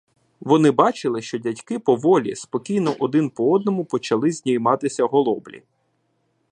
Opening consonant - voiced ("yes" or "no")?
yes